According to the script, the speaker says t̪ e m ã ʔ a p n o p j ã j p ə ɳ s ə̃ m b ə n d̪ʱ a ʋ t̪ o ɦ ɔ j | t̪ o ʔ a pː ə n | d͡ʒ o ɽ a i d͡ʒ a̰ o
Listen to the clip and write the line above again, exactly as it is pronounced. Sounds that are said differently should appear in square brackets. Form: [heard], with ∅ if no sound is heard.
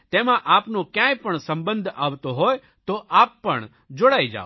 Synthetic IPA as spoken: t̪ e m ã ʔ a p n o [k] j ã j p ə ɳ s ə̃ m b ə n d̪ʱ a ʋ t̪ o ɦ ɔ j | t̪ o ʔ a pː ə [ɳ] | d͡ʒ o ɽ a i d͡ʒ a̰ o

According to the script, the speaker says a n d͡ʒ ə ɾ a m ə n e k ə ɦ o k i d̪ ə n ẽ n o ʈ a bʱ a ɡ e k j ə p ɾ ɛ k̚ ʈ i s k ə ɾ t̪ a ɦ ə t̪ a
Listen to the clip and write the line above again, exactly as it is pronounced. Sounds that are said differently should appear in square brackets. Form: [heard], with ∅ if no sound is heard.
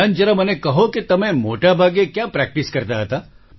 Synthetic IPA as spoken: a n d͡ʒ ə ɾ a m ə n e k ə ɦ o k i [t̪] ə [m] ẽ [m] o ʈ a bʱ a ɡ e k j [a] p ɾ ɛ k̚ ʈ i s k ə ɾ t̪ a ɦ ə t̪ a

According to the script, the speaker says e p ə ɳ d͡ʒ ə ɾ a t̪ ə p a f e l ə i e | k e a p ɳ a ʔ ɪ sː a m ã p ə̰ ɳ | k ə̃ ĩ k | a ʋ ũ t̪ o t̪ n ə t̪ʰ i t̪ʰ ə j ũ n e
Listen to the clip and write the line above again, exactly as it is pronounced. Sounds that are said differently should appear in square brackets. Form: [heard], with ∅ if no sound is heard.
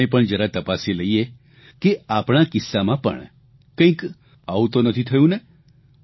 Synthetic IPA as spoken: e p ə ɳ d͡ʒ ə ɾ a t̪ ə p a [s] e l ə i e | k e a p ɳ a [k] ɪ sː a m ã p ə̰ ɳ | k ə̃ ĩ k | a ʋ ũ t̪ o [∅] n ə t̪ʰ i t̪ʰ ə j ũ n e

